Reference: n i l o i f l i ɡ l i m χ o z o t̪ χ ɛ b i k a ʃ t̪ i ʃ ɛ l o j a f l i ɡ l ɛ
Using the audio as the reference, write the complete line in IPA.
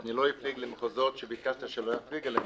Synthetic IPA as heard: n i l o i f l i ɡ l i m χ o z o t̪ ʃ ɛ b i k a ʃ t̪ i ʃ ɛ l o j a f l i ɡ l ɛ